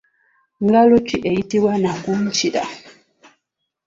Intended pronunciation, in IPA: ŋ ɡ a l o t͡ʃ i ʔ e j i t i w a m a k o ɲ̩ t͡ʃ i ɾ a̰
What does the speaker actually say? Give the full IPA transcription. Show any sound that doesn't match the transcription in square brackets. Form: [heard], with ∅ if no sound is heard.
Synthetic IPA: ŋ ɡ a l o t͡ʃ i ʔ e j i t i w a [n] a k [u] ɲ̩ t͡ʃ i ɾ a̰